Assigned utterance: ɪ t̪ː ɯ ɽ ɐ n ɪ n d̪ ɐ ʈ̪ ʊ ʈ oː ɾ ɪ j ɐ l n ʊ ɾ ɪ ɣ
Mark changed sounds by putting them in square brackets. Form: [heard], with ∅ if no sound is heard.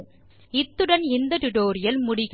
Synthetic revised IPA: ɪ t̪ː ɯ ɽ ɐ n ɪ n d̪ ɐ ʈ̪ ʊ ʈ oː ɾ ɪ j ɐ l [m] ʊ [ɽ] ɪ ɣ